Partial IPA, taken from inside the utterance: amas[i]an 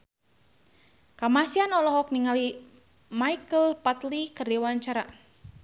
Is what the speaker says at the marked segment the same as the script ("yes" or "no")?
yes